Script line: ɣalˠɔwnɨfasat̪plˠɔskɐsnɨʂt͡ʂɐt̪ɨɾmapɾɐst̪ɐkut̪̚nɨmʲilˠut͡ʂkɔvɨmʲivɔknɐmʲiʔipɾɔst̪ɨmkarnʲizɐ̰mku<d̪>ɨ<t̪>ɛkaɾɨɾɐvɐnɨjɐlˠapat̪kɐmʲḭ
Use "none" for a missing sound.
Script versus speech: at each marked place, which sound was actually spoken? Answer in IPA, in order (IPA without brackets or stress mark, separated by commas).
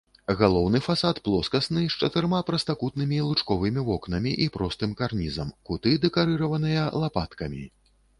t̪, d̪